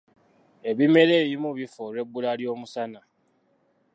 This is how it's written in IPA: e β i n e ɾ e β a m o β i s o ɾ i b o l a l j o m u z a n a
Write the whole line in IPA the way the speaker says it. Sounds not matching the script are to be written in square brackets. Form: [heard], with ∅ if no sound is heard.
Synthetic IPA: e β i [m] e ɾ e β [i] m [u] β i [f] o ɾ [e] b [u] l a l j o m u [s] a n a